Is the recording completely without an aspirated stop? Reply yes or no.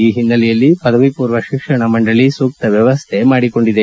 no